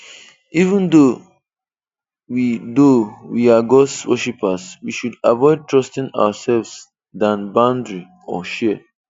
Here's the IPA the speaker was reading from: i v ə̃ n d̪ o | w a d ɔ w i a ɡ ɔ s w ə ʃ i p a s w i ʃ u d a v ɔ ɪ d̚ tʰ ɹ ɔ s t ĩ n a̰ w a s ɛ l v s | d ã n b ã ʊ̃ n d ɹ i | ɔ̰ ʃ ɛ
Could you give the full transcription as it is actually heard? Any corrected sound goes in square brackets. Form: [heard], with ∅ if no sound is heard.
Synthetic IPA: i v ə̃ n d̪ o | w [i] d [o] w i a ɡ ɔ s w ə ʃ i p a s w i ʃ u d a v ɔ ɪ d̚ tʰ ɹ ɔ s t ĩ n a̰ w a s ɛ l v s | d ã n b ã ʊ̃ n d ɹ i | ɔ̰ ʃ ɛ